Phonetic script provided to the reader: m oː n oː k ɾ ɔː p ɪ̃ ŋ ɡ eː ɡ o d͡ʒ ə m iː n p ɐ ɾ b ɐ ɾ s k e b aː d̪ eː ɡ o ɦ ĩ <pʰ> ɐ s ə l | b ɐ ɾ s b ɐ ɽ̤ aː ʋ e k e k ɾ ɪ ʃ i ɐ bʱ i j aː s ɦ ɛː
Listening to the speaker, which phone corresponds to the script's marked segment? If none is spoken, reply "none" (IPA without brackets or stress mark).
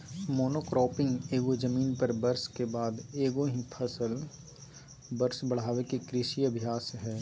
pʰ